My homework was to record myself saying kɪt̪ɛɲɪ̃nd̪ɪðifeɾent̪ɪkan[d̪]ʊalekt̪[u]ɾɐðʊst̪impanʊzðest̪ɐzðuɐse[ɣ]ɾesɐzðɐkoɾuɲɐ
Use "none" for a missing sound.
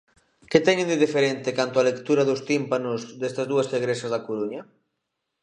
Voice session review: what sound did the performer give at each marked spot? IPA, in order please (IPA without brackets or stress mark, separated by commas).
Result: t̪, u, ɣ